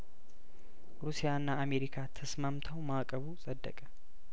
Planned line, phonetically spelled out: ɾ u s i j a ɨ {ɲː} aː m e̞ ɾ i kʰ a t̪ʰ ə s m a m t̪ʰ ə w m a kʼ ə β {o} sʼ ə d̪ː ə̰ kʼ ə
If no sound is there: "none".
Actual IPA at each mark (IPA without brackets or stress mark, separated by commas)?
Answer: nː, u